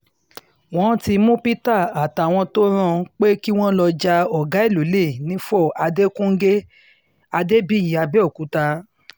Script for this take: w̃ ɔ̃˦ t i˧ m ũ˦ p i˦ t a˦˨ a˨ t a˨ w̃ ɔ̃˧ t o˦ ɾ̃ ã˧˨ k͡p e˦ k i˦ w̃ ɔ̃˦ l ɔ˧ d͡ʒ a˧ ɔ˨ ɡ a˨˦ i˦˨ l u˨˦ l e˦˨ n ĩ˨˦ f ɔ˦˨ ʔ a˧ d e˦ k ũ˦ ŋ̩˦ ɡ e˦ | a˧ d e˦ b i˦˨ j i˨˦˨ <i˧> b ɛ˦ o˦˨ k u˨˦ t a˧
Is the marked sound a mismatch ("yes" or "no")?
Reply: yes